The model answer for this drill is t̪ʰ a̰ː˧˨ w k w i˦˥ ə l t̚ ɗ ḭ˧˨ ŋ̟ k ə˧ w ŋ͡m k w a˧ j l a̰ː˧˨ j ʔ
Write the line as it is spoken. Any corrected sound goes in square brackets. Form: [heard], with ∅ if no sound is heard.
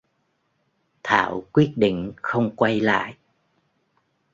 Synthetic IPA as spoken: t̪ʰ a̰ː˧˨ w k w i˦˥ ə [∅] t̚ ɗ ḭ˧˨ ŋ̟ [x] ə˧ w ŋ͡m k w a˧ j l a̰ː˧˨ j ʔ